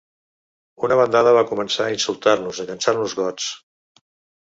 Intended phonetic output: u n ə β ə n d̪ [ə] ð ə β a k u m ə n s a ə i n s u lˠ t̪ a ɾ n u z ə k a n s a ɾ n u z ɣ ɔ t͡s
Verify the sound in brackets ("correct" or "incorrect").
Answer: incorrect